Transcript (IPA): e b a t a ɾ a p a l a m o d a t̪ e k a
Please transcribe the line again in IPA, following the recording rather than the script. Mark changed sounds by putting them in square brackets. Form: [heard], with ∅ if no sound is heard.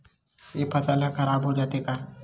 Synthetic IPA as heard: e [p] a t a [l] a [k] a [ɾ] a [b] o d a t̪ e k a